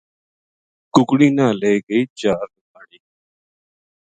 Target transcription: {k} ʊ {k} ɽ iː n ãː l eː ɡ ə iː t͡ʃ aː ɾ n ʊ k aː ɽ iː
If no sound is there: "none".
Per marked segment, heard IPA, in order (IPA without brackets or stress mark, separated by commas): k, k